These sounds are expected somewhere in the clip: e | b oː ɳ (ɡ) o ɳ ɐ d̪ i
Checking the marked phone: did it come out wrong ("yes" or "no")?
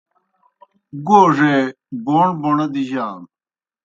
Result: yes